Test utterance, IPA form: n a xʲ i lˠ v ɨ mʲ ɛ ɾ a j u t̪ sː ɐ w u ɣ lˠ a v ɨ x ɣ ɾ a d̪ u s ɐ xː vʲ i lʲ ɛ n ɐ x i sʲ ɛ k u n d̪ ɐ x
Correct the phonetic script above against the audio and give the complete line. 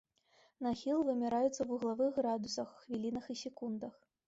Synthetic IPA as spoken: n a xʲ i lˠ v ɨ mʲ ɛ ɾ a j u t̪ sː ɐ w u ɣ lˠ a v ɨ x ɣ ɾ a d̪ u s ɐ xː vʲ i lʲ i n ɐ x i sʲ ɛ k u n d̪ ɐ x

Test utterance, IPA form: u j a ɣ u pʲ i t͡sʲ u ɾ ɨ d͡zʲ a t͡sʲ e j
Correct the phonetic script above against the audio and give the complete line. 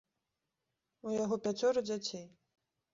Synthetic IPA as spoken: u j a ɣ ɔ pʲ a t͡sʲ ɔ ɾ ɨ d͡zʲ a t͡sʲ e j

